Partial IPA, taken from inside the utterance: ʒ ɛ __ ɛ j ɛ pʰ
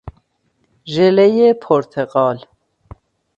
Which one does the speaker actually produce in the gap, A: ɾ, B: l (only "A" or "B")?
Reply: B